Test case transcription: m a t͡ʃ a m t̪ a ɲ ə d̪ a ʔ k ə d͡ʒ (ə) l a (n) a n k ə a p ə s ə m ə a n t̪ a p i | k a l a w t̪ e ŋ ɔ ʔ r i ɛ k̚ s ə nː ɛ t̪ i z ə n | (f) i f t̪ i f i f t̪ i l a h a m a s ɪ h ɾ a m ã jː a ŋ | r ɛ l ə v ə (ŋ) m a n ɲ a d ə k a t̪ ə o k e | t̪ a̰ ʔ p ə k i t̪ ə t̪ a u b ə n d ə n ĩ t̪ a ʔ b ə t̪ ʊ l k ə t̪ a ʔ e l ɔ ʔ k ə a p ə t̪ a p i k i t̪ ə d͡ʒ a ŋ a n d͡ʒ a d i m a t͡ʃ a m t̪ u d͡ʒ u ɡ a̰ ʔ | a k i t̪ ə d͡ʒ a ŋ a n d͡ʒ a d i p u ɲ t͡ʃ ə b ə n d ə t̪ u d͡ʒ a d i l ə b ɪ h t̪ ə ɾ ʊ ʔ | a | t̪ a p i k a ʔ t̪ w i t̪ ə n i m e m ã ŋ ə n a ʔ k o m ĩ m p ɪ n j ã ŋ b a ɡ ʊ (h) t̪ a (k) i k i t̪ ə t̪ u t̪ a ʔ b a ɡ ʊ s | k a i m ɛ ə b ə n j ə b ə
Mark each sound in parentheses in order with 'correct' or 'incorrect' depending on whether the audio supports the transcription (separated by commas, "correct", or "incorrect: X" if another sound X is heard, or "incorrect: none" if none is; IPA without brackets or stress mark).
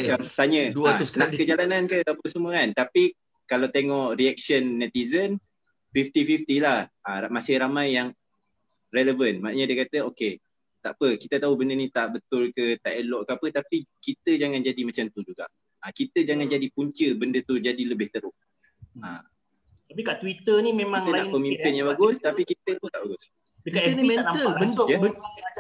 incorrect: a, correct, correct, incorrect: n, incorrect: s, incorrect: p